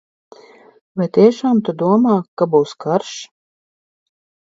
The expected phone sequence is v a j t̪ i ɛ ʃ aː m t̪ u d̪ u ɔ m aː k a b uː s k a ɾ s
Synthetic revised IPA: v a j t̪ i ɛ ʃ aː m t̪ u d̪ u ɔ m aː k a b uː s k a ɾ ʃ